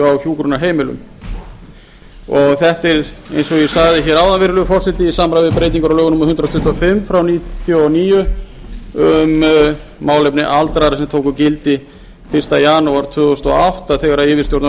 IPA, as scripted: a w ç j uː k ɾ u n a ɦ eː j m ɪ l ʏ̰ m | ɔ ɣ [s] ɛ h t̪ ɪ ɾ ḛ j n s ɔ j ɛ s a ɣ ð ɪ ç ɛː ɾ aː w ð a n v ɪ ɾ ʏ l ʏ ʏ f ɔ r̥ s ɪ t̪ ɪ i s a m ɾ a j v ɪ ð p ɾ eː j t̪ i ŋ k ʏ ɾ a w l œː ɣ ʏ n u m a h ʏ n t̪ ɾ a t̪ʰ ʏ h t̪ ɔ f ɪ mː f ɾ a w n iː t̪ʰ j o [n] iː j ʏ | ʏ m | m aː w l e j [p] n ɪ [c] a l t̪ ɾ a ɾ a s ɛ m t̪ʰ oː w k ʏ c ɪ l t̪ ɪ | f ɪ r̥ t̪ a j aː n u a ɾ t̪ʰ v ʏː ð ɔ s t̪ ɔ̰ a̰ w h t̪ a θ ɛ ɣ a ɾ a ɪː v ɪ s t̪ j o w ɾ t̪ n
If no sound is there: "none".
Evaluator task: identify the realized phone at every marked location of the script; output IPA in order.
θ, n, p, ʔ

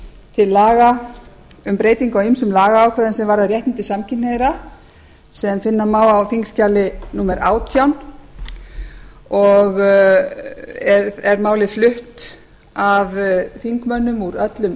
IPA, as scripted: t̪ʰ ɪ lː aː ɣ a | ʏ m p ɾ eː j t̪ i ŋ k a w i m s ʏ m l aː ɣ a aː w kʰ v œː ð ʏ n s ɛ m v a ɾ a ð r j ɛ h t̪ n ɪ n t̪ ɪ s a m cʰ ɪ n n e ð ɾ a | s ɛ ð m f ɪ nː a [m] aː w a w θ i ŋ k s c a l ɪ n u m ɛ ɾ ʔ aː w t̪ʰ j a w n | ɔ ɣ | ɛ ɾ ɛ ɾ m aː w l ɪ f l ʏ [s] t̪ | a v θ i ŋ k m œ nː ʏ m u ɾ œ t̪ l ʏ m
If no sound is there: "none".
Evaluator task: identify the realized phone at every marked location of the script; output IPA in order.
m, h

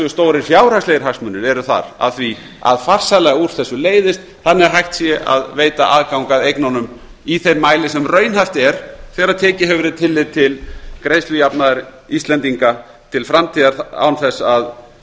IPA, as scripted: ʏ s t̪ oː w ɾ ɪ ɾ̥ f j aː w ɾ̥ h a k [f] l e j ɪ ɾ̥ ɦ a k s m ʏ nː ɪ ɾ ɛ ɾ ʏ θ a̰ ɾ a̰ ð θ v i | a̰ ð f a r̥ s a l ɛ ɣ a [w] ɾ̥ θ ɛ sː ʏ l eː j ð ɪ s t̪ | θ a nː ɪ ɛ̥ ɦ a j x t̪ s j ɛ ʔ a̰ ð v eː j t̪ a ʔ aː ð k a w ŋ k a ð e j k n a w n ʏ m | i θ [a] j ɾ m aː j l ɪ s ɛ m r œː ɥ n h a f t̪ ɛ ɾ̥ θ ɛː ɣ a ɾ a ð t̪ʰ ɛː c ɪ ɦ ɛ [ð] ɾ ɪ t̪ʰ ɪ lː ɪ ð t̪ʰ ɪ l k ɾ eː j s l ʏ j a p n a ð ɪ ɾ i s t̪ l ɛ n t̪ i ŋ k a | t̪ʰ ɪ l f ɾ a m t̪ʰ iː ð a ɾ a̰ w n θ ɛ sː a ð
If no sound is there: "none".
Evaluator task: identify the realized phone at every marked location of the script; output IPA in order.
s, u, e, v

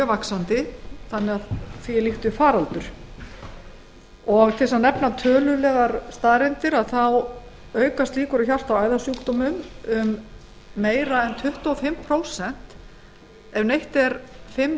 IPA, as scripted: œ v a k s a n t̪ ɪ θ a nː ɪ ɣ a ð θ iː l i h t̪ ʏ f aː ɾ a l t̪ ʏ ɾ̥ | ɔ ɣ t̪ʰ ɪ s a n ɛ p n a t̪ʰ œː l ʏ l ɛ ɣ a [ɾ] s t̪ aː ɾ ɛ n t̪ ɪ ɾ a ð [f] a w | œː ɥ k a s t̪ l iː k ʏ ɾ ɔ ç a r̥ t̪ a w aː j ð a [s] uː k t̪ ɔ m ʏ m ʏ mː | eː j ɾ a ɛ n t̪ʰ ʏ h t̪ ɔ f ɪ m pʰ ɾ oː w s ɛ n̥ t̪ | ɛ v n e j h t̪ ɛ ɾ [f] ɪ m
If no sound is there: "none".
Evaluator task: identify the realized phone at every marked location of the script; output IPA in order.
ɾ, θ, s, f

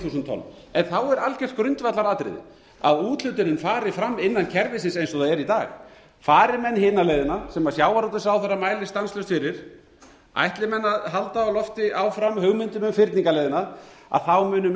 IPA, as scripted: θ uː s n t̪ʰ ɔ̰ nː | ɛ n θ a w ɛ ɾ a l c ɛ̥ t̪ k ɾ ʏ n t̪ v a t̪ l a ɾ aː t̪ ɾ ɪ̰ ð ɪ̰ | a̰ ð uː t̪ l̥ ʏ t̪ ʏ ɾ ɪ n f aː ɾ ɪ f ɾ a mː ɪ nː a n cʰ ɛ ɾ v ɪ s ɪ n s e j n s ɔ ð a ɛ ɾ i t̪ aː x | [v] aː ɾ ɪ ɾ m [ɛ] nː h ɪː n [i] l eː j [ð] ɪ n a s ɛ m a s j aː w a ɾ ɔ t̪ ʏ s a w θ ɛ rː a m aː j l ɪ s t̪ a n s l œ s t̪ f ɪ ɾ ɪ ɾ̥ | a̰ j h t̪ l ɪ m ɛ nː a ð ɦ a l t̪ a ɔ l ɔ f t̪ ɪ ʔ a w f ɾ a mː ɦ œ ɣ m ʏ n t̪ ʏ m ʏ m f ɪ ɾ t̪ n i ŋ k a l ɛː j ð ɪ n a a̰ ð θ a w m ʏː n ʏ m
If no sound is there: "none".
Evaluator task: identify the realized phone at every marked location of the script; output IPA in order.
f, ɛ, a, ð

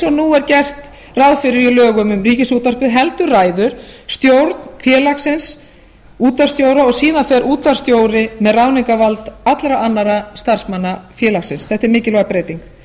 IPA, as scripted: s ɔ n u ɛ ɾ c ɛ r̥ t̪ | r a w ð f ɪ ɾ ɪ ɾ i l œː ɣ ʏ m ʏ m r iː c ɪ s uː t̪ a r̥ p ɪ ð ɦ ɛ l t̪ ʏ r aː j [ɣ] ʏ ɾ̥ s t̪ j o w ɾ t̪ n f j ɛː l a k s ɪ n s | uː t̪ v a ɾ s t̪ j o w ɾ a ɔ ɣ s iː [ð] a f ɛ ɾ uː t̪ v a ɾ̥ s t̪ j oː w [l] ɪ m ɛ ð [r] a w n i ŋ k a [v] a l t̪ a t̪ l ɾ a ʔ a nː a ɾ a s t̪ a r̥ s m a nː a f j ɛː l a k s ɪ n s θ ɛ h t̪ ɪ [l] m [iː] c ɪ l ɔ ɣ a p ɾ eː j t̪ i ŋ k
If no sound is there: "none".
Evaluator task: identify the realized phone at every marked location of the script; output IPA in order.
ð, ð, ɾ, r, v, ɾ, ɪː

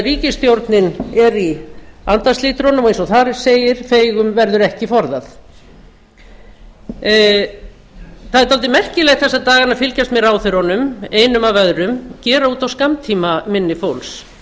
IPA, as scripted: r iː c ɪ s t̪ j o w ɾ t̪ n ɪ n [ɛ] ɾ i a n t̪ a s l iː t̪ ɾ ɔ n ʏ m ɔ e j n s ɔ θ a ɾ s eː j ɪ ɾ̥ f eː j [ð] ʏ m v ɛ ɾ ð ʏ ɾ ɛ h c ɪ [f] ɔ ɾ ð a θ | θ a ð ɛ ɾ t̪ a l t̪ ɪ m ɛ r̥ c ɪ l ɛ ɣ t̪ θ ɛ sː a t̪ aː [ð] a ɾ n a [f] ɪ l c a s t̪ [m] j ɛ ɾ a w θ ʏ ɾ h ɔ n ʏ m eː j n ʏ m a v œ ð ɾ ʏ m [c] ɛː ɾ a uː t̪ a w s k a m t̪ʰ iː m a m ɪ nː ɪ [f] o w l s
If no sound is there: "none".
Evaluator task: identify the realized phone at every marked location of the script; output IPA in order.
ɛ, ɣ, f, ɣ, f, m, c, f

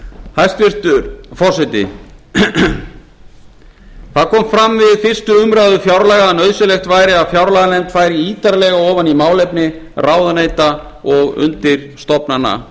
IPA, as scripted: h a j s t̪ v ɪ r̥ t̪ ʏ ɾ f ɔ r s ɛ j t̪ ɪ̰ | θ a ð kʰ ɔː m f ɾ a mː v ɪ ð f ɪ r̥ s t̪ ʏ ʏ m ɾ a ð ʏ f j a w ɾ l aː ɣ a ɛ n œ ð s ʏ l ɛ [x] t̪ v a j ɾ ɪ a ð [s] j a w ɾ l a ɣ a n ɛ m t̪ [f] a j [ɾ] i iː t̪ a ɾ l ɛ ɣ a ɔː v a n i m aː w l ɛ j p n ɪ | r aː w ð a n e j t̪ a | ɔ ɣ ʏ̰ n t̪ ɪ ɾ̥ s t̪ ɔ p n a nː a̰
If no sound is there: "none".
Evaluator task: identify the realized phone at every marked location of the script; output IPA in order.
x, f, f, ɾ

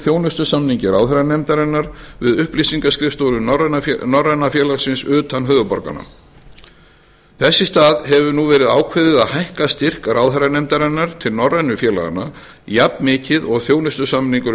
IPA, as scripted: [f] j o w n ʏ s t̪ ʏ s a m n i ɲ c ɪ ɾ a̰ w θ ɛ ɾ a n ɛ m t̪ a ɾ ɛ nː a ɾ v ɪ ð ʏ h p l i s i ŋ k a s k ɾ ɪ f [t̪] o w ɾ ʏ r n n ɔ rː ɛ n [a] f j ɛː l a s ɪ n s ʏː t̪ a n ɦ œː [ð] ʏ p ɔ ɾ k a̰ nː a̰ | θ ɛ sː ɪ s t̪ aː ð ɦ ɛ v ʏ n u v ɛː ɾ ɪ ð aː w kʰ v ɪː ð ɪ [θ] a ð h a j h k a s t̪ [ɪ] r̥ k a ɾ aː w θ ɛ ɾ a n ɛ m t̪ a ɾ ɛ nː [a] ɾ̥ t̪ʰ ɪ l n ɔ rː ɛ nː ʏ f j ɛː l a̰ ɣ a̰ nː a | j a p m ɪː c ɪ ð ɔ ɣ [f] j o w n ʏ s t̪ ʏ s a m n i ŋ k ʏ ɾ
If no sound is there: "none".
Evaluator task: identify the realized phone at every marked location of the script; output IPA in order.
θ, t̪, a, ð, ð, ɪ, a, θ

